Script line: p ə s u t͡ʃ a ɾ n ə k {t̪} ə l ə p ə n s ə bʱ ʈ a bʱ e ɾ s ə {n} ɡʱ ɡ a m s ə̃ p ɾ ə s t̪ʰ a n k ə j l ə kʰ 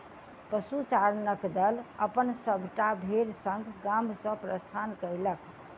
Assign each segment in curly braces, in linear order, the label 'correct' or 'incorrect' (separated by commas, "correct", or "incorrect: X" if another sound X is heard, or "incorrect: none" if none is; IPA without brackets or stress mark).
incorrect: d̪, incorrect: ŋ